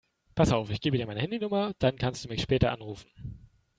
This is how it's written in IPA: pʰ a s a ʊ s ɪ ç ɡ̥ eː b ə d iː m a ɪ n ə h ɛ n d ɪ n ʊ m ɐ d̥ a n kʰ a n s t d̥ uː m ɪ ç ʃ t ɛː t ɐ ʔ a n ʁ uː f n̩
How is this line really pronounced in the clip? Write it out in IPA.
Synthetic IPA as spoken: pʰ a s a ʊ f ɪ ç ɡ̥ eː b ə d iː m a ɪ n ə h ɛ n d i n ʊ m ɐ d̥ a n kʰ a n s t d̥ uː m ɪ ç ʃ p ɛː t ɐ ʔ a n ʁ uː f n̩